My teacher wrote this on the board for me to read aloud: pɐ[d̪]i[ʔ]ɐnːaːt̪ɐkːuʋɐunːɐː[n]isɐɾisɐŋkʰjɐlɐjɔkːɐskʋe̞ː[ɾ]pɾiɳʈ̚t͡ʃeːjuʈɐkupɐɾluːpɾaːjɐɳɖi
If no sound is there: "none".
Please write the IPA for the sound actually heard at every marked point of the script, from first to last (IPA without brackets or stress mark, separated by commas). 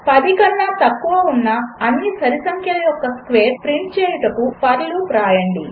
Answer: d̪, k, nː, ɾ